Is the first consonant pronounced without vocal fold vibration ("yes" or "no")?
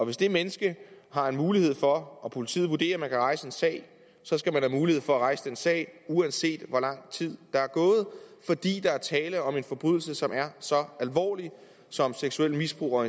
no